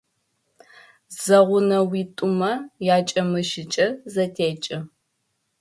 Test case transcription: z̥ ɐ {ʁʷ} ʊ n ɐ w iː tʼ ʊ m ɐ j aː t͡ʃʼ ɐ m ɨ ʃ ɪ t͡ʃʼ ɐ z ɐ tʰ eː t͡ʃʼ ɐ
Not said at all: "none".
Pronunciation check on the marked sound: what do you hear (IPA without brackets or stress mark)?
ʁʷ